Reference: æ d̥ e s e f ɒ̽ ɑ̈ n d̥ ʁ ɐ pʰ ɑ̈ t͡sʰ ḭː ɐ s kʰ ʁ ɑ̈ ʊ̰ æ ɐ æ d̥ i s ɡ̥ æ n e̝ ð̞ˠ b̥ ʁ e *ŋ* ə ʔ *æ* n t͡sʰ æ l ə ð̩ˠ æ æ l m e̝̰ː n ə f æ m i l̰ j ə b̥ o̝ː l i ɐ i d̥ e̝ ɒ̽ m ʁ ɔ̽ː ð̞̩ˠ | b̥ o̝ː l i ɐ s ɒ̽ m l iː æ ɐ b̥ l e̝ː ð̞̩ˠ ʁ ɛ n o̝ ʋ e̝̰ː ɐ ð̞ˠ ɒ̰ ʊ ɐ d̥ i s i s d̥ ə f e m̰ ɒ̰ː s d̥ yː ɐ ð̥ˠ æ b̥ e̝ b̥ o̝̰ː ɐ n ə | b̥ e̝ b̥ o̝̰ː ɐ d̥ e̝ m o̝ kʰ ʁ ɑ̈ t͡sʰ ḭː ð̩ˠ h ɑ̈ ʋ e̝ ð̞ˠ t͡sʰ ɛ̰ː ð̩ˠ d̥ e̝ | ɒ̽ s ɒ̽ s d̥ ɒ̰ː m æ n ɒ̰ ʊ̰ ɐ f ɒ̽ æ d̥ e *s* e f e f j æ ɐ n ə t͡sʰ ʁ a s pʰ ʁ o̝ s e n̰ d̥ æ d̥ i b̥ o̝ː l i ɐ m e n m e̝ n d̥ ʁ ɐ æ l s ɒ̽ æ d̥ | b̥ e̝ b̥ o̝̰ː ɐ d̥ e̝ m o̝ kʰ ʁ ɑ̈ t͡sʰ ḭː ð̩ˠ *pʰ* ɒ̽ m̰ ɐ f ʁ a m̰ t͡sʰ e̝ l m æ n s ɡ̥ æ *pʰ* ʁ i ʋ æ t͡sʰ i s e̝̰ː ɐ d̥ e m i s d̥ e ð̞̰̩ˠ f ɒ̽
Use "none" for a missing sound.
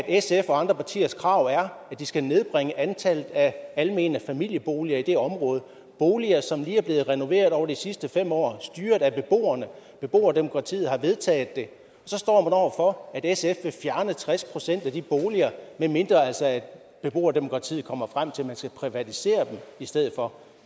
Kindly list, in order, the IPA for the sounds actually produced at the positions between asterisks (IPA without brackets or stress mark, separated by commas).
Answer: ŋ, æ, s, kʰ, pʰ